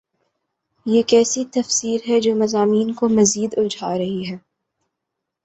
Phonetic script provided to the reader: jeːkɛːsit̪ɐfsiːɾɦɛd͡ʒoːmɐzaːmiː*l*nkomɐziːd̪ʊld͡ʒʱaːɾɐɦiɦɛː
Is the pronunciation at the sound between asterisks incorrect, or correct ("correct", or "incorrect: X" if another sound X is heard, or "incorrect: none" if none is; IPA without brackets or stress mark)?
incorrect: none